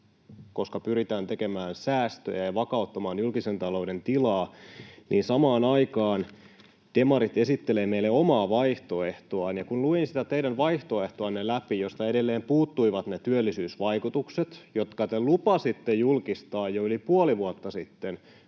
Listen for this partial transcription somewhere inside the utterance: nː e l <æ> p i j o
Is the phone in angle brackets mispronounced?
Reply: no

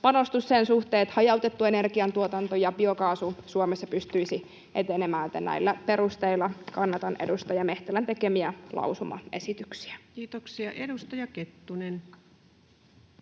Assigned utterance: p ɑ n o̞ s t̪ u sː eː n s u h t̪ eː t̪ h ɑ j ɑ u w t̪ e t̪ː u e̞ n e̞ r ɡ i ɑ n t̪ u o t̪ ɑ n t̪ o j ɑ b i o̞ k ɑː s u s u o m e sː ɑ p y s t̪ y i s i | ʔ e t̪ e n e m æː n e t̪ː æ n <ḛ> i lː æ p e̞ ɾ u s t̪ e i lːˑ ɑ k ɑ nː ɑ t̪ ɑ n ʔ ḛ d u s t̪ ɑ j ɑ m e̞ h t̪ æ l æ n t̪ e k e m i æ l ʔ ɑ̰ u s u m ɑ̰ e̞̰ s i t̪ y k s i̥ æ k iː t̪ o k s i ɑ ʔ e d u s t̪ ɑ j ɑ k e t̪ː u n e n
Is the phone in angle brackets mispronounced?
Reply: yes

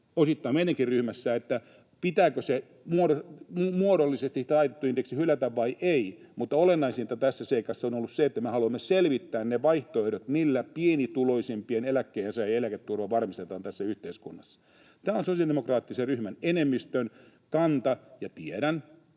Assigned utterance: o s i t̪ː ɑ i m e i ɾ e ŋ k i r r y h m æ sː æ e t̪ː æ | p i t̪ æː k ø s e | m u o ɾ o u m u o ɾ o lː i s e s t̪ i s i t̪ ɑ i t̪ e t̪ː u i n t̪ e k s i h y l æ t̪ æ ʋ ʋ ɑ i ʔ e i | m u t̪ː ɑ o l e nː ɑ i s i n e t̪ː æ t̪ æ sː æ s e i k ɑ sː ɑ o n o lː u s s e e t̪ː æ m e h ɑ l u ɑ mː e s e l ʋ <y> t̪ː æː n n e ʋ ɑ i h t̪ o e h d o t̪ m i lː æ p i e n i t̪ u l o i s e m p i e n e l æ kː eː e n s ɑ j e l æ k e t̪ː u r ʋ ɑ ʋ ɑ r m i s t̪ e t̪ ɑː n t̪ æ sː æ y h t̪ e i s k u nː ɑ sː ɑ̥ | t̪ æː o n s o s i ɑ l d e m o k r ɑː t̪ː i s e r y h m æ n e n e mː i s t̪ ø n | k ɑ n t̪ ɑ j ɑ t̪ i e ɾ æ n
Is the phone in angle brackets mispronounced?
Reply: yes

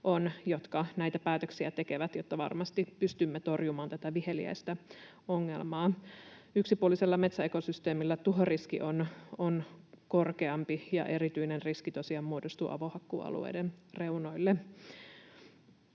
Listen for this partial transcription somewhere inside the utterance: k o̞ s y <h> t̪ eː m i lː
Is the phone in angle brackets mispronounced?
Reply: yes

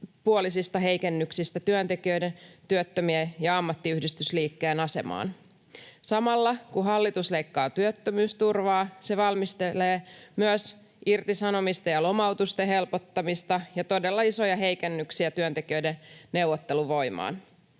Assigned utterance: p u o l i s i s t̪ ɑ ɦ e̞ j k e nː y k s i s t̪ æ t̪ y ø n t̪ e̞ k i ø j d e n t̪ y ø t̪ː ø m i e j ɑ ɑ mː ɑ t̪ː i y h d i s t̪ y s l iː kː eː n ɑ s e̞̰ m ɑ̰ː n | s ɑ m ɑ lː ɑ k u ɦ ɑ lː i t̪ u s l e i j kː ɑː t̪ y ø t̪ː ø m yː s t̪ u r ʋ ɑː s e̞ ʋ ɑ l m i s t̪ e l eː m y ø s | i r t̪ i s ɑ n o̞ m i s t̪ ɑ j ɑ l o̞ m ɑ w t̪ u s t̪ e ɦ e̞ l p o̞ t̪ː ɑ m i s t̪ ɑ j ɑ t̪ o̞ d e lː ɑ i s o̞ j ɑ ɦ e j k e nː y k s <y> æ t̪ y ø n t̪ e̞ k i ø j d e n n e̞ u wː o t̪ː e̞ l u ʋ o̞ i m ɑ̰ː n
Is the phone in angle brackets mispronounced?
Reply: yes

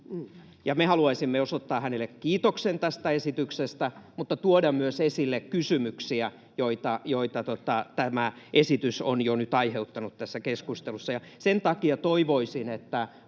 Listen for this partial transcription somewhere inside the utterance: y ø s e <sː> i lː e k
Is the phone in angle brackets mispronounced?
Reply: yes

